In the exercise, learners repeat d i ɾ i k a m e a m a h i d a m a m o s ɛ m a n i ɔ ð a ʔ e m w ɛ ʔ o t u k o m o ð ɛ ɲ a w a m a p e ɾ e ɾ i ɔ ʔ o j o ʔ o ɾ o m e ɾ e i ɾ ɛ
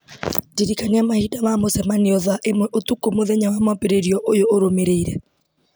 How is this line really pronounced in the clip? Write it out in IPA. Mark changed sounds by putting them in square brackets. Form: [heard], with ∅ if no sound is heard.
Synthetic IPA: d i ɾ i k a [n] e a m a h i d a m a m o s ɛ m a n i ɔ ð a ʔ e m w ɛ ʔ o t u k o m o ð ɛ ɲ a w a m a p e ɾ e ɾ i ɔ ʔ o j o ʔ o ɾ o m e ɾ e i ɾ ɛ